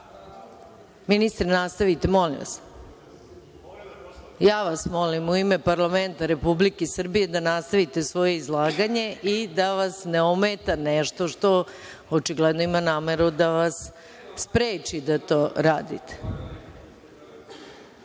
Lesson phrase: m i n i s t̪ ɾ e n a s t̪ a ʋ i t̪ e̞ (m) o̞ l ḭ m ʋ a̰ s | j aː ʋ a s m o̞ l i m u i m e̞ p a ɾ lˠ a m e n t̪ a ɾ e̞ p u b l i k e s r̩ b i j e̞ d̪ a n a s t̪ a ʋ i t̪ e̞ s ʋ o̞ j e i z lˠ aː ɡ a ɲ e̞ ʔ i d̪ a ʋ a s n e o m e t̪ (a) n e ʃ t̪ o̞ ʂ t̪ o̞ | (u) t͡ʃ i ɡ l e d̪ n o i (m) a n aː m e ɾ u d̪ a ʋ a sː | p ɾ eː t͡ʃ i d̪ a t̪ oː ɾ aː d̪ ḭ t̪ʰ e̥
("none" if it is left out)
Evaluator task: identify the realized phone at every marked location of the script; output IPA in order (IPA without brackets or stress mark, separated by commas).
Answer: m, a, o, m